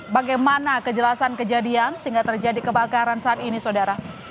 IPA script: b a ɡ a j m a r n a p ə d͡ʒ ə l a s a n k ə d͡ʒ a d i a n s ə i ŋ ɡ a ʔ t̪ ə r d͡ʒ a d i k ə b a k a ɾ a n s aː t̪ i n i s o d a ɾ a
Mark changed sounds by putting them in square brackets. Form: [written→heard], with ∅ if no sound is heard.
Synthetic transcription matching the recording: b a ɡ a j m a [r→∅] n a [p→k] ə d͡ʒ ə l a s a n k ə d͡ʒ a d i a n s ə i ŋ ɡ a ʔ t̪ ə r d͡ʒ a d i k ə b a k a ɾ a n s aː t̪ i n i s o d a ɾ a

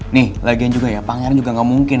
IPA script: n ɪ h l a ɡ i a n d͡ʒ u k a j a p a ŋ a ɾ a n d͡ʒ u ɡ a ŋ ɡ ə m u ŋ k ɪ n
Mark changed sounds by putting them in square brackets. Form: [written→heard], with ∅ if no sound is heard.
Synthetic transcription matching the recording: n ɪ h l a ɡ i a n d͡ʒ u [k→ɡ] a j a p a ŋ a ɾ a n d͡ʒ u ɡ a ŋ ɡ [ə→a] m u ŋ k ɪ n

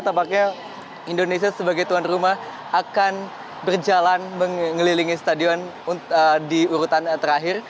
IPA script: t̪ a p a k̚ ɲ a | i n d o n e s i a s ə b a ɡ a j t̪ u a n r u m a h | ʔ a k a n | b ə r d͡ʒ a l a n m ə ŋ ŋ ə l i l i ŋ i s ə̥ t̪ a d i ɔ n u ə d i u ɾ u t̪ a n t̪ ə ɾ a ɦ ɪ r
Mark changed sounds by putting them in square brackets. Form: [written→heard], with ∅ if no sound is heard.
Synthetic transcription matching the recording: t̪ a p a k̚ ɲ a | i n d o n e s i a s ə b a ɡ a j t̪ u a n r u m a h | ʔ a k a n | b ə r d͡ʒ a l a n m ə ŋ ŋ ə l i l i ŋ i s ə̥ t̪ a d i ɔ n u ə d i u ɾ u t̪ a n t̪ ə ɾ a ɦ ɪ r

